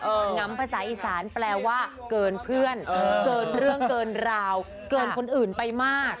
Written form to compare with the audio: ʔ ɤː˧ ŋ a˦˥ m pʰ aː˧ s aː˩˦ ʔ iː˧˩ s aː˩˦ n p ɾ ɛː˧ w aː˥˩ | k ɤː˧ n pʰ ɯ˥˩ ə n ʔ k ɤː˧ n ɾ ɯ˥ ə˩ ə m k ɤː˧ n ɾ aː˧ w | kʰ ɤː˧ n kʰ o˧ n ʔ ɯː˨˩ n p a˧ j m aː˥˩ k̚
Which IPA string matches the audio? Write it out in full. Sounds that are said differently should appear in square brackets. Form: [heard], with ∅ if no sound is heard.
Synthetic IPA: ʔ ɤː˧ ŋ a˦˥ m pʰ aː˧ s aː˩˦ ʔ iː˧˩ s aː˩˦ n p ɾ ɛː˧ w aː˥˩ | k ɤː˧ n pʰ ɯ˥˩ ə n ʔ k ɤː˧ n ɾ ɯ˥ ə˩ ə [ŋ] k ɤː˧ n ɾ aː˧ w | [k] ɤː˧ n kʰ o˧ n ʔ ɯː˨˩ n p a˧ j m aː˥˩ k̚